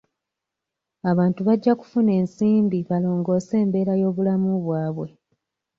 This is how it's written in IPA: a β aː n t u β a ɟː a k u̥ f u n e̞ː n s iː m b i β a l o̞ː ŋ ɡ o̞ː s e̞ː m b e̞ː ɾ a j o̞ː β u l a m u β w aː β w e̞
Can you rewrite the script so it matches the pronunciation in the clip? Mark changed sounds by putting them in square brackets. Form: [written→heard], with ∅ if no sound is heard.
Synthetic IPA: a β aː n t u β a ɟː a k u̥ f u n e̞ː n s iː m b i β a l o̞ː ŋ ɡ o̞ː s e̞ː m b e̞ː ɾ a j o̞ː β u l a m u β w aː β w e̞

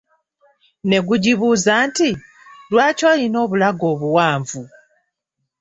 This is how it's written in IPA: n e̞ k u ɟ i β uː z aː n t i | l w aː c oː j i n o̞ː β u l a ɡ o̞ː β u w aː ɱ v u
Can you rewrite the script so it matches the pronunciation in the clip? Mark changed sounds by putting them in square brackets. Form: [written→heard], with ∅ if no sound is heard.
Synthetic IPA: n e̞ [k→ɡ] u ɟ i β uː z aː n t i | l w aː c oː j i n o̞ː β u l a ɡ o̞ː β u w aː ɱ v u

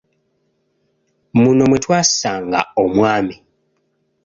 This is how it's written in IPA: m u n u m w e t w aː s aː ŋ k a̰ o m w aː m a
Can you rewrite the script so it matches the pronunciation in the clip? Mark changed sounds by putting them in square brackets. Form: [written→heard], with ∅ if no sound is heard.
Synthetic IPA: m u n [u→o] m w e t w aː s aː ŋ [k→ɡ] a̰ o m w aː m [a→i]

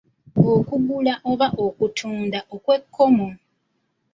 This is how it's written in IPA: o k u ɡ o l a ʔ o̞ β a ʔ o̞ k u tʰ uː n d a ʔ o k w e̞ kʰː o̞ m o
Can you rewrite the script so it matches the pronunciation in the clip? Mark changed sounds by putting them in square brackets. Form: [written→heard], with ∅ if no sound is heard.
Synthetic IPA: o k u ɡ [o→u] l a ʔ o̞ β a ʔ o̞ k u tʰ uː n d a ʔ o k w e̞ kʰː o̞ m o

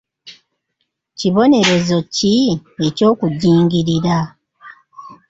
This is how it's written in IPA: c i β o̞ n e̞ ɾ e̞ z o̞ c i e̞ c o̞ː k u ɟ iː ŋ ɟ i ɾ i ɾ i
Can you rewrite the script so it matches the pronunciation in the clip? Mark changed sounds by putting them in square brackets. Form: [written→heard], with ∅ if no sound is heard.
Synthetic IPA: c i β o̞ n e̞ ɾ e̞ z o̞ c i e̞ c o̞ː k u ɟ iː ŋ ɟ i ɾ i ɾ [i→a]

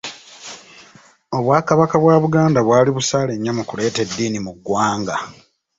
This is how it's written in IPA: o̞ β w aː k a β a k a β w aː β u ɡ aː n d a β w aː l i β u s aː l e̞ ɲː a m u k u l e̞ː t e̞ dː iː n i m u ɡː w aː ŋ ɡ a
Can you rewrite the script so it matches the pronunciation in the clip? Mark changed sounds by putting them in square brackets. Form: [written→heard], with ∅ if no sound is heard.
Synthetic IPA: o̞ β w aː k a β a k a β w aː β u ɡ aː n d a β w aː l i β u s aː l e̞ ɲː a m u k u l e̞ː t e̞ dː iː n i m u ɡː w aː ŋ ɡ a

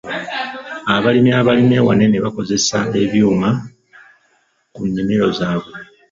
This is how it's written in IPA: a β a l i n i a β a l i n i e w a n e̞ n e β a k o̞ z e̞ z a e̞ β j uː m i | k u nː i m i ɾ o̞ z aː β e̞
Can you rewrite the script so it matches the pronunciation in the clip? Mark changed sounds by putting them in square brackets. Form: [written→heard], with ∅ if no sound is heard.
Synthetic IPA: a β a l i [n→m] i a β a l i [n→m] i e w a n e̞ n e β a k o̞ z e̞ [z→s] a e̞ β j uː m [i→a] | k u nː i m i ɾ o̞ z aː β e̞

